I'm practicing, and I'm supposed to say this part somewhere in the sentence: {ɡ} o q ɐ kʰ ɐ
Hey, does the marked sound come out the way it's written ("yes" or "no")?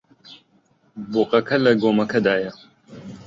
no